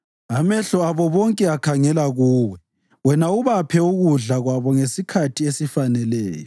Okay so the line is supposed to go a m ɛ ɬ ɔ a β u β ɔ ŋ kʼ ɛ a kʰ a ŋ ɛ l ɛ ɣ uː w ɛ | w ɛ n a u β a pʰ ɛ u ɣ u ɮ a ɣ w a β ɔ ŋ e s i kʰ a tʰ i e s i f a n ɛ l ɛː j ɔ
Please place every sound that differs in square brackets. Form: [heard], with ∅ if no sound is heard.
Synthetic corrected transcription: a m ɛ ɬ ɔ a β [ɔ] β ɔ ŋ kʼ ɛ a kʰ a ŋ ɛ l [a] ɣ uː w ɛ | w ɛ n a u β a pʰ ɛ u ɣ u ɮ a ɣ w a β ɔ ŋ e s i kʰ a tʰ i e s i f a n ɛ l ɛː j ɔ